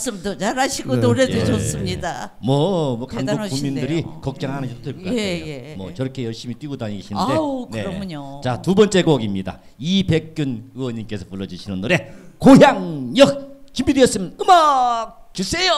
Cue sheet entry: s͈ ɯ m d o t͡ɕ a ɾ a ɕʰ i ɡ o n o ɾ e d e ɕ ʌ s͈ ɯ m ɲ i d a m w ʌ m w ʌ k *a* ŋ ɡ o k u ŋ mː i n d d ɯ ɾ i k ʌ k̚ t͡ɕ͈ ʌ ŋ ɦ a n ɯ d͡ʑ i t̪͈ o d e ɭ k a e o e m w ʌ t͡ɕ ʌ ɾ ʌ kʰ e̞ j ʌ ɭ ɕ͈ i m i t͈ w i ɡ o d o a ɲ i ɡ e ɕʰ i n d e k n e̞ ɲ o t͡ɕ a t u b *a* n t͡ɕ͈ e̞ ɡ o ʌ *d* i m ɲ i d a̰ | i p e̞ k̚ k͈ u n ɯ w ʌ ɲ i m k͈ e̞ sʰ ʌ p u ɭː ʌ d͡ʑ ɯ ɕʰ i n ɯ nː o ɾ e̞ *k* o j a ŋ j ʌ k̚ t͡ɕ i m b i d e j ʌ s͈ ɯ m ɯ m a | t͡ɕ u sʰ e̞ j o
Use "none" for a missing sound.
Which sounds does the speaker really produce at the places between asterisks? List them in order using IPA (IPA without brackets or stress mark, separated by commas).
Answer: a, ʌ, ɡ, k